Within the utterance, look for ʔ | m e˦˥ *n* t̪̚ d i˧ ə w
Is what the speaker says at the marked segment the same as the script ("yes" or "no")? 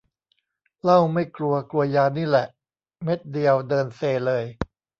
no